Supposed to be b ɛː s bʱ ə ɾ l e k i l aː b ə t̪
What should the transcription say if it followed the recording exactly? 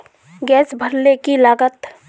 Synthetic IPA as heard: ɡ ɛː s bʱ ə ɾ l e k i l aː ɡ ə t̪